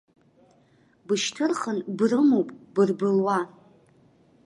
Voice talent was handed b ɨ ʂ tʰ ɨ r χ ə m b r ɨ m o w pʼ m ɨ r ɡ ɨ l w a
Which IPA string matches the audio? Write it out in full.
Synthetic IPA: b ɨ ʃ tʰ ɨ r χ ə n b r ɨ m o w pʼ b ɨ r b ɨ l w a